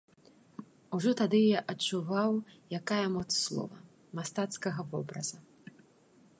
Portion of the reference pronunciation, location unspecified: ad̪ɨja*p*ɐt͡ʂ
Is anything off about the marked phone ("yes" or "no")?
yes